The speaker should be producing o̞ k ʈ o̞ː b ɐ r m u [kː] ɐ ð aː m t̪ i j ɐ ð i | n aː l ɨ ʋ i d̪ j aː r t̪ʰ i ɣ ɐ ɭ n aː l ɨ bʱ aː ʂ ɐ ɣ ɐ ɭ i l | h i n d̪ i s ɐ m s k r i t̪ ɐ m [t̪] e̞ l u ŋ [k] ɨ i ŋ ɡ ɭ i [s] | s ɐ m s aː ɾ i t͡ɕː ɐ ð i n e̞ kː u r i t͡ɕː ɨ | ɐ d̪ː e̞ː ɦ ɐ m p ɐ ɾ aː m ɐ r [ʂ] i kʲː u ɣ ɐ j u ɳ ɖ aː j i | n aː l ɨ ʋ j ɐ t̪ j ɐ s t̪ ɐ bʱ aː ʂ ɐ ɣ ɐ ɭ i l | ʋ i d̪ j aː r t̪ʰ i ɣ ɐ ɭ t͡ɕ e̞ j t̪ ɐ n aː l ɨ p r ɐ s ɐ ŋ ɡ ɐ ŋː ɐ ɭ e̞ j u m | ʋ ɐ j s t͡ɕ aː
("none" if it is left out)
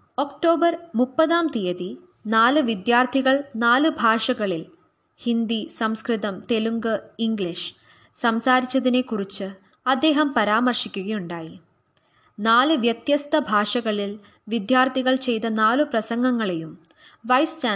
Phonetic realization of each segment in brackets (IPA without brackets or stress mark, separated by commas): pː, t̪, ɡ, ʂ, ʂ